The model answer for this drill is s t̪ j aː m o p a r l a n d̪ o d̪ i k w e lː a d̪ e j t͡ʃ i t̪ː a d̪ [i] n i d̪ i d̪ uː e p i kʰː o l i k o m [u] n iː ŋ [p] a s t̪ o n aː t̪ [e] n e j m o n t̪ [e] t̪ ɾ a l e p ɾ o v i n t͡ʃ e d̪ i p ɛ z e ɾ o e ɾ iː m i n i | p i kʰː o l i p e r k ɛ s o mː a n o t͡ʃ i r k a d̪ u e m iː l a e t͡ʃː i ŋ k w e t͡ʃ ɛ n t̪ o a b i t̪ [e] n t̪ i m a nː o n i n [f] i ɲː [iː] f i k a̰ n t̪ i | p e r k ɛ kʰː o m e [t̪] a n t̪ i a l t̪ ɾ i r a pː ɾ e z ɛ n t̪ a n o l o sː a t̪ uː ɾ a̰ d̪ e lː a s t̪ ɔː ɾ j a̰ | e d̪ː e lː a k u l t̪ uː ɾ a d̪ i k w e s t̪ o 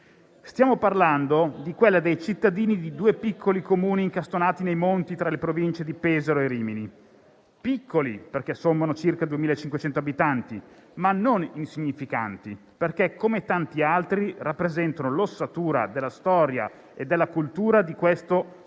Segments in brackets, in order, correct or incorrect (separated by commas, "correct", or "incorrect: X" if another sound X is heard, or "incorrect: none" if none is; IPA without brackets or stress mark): incorrect: iː, incorrect: uː, incorrect: k, incorrect: i, incorrect: i, incorrect: a, incorrect: s, incorrect: i, correct